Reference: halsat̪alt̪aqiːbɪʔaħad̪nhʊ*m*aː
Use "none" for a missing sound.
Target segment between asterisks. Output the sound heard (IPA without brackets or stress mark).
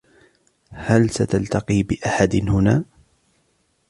n